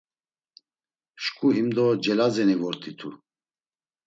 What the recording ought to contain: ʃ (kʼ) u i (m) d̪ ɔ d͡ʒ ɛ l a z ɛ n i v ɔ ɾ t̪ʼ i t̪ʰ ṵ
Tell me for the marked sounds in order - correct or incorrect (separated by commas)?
correct, correct